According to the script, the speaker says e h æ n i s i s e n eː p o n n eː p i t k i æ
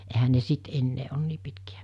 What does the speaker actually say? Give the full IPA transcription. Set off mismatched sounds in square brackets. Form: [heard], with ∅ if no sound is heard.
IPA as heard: e h æ n [e] s i [t] e [nː] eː [∅] o n n [iː] p i t k i æ